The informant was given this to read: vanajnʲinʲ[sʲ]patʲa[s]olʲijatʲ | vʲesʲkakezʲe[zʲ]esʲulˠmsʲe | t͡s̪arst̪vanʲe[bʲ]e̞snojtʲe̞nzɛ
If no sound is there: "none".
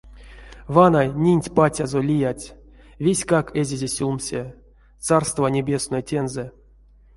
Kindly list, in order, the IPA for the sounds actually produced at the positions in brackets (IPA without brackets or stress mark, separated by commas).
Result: tʲ, z, zʲ, bʲ